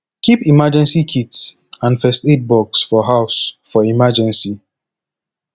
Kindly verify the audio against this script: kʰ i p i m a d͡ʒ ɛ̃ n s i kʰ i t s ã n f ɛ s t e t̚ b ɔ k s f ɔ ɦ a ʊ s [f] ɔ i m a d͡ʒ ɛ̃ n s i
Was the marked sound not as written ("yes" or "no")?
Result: no